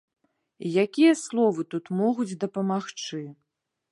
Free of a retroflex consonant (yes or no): no